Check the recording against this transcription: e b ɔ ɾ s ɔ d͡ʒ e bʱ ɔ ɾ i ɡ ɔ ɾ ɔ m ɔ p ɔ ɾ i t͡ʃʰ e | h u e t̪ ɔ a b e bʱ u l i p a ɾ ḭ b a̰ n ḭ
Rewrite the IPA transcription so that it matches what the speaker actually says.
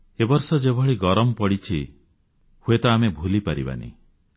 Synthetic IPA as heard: e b ɔ ɾ s ɔ d͡ʒ e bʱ ɔ ɭ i ɡ ɔ ɾ ɔ m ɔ p ɔ ɽ i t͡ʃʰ i | h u e t̪ ɔ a m e bʱ u l i p a ɾ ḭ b a̰ n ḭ